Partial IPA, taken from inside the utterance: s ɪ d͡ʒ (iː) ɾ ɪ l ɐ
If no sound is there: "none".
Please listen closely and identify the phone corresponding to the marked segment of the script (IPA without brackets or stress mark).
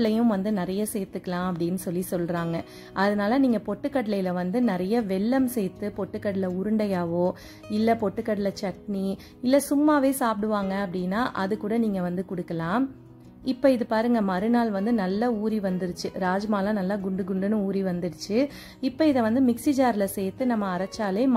aː